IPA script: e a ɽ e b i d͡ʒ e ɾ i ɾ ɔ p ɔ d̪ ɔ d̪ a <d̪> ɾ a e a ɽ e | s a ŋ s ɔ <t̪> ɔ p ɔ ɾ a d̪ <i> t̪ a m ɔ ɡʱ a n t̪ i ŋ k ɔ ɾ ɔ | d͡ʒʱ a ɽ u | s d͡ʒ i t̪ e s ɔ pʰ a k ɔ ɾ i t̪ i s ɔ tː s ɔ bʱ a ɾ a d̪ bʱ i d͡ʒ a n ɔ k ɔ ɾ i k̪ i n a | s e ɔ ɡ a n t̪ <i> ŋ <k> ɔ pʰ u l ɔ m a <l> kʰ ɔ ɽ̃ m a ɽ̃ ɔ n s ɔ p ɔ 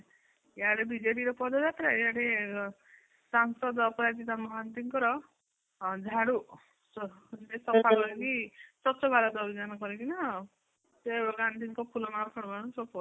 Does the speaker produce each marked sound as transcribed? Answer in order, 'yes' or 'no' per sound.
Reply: no, no, yes, yes, yes, no

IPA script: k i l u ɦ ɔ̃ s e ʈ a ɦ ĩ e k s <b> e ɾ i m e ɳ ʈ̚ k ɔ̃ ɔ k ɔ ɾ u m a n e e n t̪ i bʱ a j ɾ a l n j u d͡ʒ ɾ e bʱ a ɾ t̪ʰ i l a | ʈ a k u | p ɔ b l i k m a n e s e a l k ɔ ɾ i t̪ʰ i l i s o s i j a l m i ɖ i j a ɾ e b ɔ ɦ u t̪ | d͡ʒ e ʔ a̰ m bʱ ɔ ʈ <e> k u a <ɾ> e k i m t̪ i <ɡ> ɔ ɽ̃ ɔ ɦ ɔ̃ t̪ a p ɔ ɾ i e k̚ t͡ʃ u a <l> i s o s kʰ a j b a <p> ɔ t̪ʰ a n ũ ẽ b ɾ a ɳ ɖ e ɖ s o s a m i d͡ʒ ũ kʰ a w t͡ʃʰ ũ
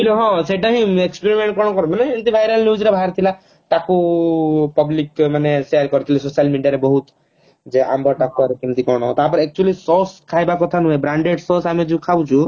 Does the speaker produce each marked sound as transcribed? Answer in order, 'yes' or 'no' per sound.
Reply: no, no, yes, no, yes, no

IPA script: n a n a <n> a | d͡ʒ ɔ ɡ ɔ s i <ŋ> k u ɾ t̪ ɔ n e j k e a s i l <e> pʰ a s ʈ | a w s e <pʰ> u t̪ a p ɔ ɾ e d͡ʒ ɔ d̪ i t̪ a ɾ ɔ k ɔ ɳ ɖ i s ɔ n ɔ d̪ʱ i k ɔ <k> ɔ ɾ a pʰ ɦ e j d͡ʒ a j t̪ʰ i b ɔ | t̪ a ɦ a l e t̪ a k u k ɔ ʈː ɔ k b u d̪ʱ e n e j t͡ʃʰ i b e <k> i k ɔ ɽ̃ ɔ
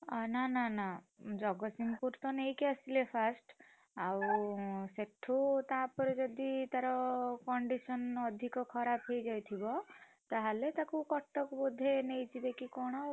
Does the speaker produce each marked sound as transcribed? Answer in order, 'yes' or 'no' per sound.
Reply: yes, no, yes, no, no, yes

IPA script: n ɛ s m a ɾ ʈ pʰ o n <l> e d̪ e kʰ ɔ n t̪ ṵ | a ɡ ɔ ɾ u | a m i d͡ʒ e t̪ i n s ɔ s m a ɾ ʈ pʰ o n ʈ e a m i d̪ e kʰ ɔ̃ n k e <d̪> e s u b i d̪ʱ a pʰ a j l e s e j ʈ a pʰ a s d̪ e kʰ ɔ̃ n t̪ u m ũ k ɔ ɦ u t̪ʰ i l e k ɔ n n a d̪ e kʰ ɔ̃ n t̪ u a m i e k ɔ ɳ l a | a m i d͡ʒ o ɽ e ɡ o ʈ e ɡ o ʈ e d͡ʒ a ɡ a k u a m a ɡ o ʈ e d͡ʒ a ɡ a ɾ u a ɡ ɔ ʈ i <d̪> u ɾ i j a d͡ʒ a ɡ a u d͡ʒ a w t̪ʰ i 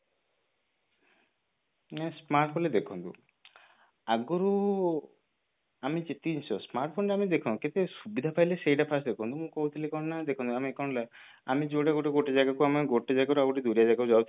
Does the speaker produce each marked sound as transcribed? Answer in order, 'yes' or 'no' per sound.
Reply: yes, no, yes

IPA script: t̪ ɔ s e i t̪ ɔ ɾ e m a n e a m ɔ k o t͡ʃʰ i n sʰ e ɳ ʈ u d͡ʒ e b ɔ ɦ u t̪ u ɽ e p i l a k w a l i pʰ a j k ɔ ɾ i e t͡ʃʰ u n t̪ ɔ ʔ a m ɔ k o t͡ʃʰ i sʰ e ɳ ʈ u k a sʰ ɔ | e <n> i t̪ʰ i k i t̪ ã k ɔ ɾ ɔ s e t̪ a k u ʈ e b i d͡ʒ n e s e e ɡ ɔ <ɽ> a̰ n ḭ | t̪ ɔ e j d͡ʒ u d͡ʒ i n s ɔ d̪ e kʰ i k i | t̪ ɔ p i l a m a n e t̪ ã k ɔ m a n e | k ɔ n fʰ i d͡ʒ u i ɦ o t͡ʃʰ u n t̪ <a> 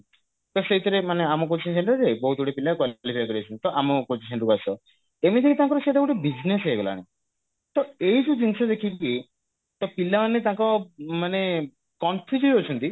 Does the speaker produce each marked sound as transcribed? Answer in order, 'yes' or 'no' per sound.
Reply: no, no, no

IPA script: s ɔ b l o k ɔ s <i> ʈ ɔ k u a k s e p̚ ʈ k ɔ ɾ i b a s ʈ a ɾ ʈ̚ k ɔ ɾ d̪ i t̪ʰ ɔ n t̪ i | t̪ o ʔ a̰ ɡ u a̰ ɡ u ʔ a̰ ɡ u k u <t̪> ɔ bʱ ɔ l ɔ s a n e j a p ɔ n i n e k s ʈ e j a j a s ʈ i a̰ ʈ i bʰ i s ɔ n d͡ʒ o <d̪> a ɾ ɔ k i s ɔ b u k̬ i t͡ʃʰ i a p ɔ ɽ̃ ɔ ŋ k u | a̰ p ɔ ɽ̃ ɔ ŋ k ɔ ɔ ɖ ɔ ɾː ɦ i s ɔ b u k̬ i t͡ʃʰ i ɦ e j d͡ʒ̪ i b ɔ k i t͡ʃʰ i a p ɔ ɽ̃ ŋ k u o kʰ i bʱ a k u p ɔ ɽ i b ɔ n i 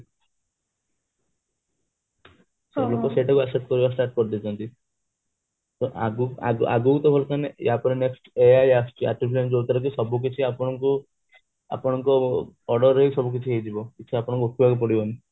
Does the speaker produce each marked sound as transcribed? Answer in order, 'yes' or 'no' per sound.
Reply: no, yes, no

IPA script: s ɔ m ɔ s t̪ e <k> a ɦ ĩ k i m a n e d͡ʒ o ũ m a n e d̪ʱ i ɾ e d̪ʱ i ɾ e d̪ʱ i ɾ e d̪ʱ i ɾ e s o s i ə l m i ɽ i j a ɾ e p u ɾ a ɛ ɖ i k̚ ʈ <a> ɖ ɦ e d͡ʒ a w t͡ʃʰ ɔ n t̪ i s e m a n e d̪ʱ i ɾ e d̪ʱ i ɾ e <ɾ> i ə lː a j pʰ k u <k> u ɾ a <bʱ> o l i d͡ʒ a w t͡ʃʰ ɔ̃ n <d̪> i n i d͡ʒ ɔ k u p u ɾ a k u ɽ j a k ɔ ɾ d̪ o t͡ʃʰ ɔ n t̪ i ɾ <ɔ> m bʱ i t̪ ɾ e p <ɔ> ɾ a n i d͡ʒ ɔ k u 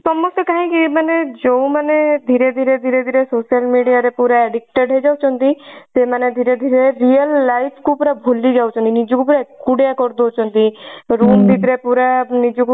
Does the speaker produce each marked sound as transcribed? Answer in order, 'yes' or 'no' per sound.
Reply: yes, no, yes, no, yes, no, no, no

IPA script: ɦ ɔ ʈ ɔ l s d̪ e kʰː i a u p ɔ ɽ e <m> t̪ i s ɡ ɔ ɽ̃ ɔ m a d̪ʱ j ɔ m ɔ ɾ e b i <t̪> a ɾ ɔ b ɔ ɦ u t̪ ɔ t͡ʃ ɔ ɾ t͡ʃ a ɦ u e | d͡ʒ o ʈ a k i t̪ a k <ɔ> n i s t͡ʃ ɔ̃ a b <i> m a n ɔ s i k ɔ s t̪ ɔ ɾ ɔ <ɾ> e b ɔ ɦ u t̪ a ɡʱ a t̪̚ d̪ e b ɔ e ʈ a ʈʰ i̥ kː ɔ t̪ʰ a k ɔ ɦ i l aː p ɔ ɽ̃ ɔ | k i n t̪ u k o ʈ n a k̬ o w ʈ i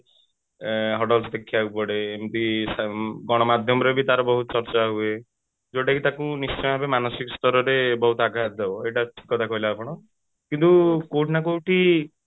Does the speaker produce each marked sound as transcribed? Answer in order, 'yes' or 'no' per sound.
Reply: yes, yes, no, no, yes

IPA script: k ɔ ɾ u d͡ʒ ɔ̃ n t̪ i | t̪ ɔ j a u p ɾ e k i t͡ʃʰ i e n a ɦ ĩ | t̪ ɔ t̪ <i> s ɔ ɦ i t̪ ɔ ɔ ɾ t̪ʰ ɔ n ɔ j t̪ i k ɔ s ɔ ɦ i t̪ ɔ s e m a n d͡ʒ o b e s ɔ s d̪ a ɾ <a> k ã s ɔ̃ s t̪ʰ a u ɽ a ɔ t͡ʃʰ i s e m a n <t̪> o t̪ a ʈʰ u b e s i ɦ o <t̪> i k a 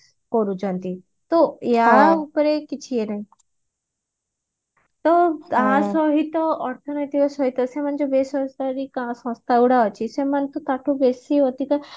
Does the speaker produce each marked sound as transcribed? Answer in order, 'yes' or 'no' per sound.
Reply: no, no, yes, yes

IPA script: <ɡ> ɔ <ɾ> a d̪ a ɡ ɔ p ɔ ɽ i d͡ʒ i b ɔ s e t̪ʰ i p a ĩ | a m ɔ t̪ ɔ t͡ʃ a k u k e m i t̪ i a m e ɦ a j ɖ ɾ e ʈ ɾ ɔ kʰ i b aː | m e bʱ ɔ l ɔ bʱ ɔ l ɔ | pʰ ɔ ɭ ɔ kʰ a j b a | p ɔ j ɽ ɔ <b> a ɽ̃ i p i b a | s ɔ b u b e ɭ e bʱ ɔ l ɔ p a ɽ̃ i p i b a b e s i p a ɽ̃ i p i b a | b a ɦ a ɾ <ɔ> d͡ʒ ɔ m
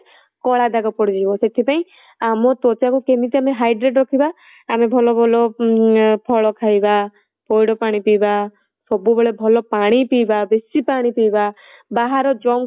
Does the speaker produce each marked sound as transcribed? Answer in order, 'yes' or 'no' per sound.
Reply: no, no, no, yes

